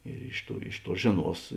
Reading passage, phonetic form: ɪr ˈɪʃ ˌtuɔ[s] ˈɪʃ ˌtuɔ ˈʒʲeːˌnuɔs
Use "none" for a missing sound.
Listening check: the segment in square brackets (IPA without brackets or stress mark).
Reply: none